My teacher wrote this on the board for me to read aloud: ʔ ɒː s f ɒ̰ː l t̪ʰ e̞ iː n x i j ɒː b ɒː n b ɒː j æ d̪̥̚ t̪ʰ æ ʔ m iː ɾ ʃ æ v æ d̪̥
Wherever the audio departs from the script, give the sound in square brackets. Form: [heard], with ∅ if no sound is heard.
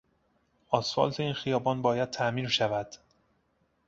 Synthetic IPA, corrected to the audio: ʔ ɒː s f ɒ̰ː l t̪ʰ e̞ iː n x i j ɒː b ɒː n b ɒː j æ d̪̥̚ t̪ʰ æ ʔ m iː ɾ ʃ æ v æ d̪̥